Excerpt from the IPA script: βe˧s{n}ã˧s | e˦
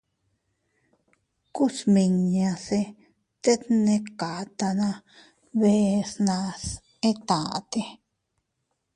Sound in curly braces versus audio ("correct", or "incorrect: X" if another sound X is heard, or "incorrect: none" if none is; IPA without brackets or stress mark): correct